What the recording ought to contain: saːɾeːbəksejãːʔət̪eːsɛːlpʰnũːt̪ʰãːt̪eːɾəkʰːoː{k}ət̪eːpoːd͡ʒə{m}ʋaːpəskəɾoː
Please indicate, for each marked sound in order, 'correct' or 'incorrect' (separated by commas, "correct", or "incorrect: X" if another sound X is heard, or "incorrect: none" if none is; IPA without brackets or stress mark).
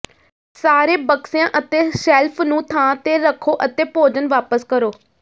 incorrect: ʔ, incorrect: n